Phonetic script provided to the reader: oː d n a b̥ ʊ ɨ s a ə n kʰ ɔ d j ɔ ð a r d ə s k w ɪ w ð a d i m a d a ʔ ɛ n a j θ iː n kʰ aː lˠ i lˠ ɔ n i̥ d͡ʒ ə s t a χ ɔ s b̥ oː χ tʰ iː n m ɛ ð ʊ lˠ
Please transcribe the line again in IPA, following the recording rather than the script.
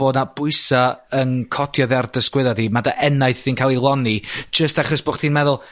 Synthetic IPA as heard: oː d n a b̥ ʊ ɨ s a ə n kʰ ɔ d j ɔ ð a r d ə s k w ɪ ð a d i m a d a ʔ ɛ n a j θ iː n kʰ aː lˠ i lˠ ɔ n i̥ d͡ʒ ə s t a χ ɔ s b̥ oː χ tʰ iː n m ɛ ð ʊ lˠ